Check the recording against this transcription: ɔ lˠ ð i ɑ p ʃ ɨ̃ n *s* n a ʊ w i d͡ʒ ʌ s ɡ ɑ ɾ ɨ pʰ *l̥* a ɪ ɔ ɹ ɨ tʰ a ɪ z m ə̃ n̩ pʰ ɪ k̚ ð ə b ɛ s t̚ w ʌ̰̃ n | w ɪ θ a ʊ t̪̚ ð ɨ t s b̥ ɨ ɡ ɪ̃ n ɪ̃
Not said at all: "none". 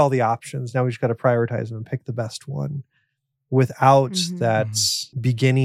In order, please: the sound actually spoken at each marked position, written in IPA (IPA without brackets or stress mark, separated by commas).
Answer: z, ɹ̥